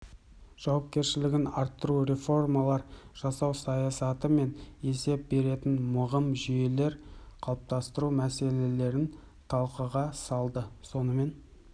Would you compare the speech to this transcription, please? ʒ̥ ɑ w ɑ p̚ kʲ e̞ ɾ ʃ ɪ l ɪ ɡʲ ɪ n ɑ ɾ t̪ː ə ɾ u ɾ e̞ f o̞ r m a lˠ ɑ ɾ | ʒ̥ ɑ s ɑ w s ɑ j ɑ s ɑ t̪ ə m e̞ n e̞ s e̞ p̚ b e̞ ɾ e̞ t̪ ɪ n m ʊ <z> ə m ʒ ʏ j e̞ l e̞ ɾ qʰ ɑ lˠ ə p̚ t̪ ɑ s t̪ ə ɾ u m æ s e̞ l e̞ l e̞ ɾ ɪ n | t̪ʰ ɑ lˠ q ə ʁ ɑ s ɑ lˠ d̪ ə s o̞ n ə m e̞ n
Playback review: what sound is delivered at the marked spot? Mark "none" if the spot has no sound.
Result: ʁ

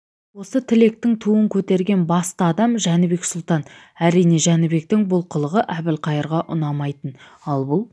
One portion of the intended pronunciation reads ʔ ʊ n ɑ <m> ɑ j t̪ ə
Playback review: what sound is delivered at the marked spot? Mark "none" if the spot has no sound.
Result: m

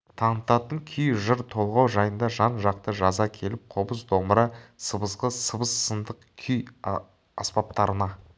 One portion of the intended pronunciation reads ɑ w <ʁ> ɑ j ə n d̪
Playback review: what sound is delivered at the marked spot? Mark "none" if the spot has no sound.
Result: ʒ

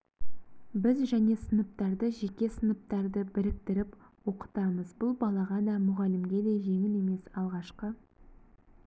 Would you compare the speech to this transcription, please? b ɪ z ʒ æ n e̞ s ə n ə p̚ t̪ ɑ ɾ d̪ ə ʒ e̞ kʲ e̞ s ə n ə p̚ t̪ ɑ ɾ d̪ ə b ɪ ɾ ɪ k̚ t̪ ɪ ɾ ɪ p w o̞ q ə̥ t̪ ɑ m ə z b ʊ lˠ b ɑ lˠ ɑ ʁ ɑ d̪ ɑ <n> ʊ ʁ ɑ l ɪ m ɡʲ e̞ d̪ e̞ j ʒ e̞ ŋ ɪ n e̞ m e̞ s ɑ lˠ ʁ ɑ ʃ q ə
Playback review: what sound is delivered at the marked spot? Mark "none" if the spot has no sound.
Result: m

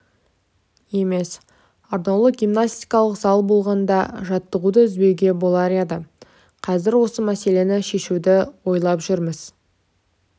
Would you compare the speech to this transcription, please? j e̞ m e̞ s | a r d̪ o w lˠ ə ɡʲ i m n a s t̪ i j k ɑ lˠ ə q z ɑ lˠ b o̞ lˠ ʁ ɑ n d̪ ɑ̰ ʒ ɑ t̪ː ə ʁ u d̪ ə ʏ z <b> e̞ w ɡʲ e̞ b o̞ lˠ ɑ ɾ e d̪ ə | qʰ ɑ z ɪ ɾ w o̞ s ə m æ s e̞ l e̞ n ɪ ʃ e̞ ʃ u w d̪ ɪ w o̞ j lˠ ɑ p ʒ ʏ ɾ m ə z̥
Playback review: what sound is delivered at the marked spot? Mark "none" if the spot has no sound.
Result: b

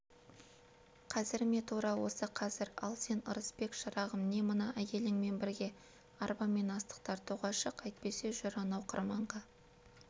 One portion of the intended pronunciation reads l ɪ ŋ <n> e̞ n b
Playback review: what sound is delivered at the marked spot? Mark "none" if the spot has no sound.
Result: m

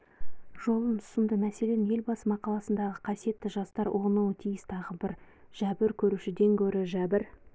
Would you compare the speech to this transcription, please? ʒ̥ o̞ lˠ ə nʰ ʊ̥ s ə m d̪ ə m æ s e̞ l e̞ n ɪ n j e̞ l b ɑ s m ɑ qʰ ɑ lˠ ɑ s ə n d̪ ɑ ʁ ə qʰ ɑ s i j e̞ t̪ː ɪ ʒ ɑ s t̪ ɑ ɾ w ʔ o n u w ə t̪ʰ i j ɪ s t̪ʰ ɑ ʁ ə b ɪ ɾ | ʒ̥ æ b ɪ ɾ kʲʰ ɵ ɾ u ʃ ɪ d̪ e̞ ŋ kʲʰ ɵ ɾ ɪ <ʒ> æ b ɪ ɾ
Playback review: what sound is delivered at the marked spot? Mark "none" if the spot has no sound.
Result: ʒ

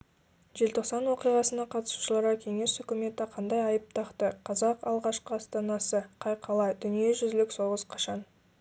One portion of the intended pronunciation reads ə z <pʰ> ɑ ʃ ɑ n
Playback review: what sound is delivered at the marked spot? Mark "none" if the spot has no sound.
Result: qʰ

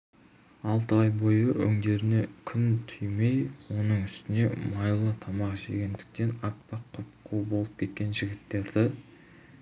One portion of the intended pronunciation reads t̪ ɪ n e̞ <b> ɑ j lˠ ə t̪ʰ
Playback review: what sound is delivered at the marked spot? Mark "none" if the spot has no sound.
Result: m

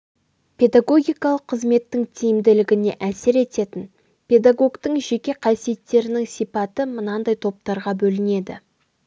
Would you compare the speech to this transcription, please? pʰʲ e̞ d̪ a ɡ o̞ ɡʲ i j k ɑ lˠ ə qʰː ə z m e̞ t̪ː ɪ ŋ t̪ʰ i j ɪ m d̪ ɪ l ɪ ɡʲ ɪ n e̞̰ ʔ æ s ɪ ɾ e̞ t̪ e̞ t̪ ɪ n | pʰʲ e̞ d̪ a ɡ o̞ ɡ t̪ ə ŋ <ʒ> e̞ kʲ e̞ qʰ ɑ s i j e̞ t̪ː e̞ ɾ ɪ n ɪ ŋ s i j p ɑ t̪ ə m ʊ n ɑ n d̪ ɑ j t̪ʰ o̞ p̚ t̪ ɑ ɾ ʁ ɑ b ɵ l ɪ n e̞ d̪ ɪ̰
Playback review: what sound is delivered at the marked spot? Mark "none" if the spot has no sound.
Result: ʒ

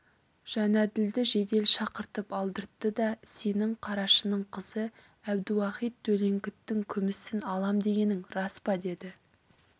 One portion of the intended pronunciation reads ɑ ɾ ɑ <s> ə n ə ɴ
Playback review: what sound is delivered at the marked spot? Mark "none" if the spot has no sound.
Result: ʃ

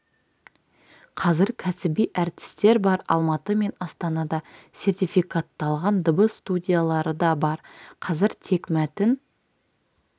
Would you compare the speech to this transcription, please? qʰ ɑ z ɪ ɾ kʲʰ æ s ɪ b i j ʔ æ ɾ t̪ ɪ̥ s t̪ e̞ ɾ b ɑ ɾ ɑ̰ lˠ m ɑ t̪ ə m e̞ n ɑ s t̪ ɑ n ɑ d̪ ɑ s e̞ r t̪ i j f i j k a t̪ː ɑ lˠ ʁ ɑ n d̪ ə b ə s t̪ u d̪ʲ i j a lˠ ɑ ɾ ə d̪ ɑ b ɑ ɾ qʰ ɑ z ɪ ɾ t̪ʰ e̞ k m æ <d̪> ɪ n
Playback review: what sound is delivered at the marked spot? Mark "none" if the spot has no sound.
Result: t̪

